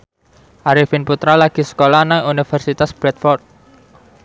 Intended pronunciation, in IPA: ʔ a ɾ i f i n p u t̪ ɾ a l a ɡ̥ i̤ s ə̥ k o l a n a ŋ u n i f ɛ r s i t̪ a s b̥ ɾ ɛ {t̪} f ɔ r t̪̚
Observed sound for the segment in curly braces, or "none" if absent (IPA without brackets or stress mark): t̪